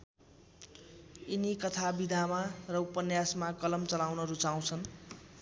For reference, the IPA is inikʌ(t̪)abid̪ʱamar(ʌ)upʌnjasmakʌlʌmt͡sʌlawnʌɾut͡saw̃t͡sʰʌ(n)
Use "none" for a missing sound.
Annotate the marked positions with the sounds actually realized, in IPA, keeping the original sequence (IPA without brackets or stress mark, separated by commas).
t̪ʰ, ʌ, n